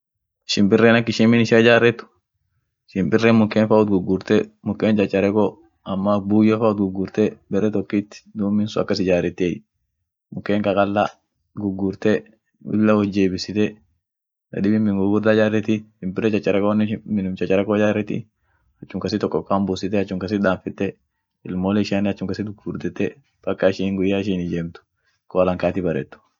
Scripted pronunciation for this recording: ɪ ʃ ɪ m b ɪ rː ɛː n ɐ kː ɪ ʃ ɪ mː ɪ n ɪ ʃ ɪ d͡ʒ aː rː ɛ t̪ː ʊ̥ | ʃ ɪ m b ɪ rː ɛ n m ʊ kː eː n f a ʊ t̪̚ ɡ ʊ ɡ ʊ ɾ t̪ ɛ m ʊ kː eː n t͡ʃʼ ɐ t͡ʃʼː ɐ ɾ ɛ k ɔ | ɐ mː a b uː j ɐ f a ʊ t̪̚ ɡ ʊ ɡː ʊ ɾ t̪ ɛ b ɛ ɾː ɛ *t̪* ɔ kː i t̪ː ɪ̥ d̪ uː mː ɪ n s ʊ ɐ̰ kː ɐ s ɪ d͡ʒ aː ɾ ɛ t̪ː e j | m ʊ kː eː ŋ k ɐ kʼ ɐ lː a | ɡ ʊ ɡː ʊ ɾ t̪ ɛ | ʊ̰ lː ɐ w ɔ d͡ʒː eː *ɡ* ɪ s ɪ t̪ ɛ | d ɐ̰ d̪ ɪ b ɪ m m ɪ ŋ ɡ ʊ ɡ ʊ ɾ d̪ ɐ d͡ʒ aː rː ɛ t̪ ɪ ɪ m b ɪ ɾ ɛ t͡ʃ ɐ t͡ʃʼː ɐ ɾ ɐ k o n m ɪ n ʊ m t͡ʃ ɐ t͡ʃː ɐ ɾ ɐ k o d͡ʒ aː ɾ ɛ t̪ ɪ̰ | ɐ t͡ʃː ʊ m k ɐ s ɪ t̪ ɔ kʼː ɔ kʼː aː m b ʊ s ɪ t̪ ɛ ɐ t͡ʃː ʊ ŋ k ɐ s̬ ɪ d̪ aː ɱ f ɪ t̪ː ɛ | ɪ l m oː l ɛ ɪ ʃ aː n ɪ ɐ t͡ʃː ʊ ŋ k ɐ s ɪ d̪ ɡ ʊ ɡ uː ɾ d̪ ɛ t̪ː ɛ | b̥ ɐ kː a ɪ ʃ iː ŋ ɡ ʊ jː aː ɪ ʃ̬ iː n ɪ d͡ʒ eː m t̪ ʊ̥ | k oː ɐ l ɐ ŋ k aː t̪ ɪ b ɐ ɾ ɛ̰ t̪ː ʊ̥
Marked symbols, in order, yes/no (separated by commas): yes, no